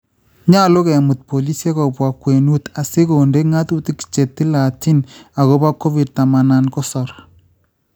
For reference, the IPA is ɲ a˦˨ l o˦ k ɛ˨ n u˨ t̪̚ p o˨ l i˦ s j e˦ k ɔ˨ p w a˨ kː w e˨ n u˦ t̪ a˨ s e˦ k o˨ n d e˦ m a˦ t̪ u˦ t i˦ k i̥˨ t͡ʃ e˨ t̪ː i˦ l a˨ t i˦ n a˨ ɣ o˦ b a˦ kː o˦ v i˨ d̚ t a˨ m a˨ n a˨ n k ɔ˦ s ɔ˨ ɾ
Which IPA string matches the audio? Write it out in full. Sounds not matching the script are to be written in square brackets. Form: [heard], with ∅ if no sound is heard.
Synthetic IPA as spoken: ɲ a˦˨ l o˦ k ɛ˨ [m] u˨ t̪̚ p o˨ l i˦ s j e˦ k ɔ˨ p w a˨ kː w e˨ n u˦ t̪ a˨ s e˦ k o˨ n d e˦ [ŋ] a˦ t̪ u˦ t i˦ k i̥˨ t͡ʃ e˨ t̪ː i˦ l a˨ t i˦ n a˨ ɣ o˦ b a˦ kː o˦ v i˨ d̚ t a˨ m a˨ n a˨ n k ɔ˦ s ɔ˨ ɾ